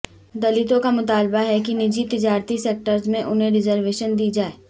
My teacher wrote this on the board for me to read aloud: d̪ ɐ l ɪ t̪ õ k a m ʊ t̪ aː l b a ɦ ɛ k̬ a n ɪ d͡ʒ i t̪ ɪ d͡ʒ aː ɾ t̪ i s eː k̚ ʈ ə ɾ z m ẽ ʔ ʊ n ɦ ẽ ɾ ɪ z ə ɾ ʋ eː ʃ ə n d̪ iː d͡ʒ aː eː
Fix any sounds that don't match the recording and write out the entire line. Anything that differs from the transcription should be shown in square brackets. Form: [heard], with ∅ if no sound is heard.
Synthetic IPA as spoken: d̪ ɐ l ɪ t̪ õ k a m ʊ t̪ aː l b a ɦ ɛ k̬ [i] n ɪ d͡ʒ i t̪ ɪ d͡ʒ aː ɾ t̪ i s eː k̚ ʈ ə ɾ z m ẽ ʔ ʊ n ɦ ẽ ɾ ɪ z ə ɾ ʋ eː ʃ ə n d̪ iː d͡ʒ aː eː